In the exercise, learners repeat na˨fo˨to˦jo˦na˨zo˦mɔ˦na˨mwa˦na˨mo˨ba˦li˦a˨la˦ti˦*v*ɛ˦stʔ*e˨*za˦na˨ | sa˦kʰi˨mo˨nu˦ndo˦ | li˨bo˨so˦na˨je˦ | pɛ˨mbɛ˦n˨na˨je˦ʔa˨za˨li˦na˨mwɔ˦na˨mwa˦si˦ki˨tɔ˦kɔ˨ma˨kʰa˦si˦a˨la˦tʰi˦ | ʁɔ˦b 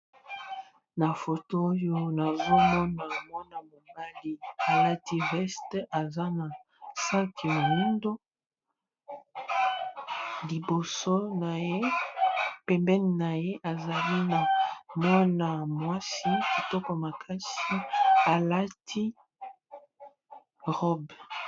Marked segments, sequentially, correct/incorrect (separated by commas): incorrect, incorrect